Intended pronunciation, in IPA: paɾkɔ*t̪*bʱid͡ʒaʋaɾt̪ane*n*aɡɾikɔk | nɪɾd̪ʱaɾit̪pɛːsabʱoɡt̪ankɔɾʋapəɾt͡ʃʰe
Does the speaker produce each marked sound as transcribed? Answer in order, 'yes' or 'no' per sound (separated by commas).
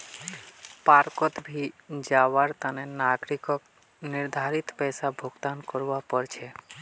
yes, yes